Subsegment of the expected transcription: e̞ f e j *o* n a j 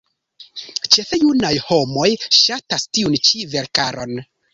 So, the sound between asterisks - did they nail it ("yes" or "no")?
no